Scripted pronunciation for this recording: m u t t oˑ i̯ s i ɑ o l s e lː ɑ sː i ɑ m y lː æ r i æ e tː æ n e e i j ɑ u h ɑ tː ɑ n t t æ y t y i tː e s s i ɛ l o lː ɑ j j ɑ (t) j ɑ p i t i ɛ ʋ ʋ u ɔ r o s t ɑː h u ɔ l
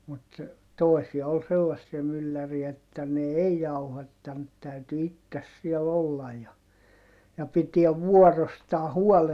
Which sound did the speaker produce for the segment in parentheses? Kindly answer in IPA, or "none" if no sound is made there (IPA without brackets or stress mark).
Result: none